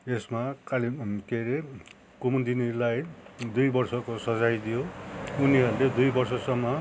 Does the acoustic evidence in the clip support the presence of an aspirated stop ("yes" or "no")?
no